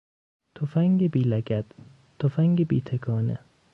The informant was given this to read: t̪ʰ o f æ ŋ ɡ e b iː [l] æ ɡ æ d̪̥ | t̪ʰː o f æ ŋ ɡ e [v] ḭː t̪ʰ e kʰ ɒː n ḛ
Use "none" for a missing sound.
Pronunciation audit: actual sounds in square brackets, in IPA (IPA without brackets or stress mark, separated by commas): l, b